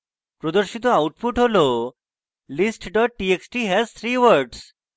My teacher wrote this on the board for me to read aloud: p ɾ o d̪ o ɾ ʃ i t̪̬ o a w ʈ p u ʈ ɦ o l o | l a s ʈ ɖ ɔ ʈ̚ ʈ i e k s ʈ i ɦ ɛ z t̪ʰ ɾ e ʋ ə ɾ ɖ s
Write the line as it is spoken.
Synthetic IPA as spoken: p ɾ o d̪ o ɾ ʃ i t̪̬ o a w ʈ p u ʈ ɦ o l o | l i s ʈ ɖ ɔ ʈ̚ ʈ i e k s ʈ i ɦ ɛ z t̪ʰ ɾ i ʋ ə ɾ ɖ s